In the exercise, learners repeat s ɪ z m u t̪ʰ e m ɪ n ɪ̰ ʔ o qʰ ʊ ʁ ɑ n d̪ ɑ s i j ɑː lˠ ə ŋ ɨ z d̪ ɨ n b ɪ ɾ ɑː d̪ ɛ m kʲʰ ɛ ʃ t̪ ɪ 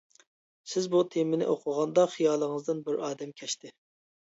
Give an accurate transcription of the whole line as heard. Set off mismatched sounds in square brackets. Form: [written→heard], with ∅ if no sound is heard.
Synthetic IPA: s ɪ z [m→b] u t̪ʰ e m ɪ n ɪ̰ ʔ o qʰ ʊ ʁ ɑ n d̪ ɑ [s→χ] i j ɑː lˠ ə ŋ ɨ z d̪ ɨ n b ɪ ɾ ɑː d̪ ɛ m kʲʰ ɛ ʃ t̪ ɪ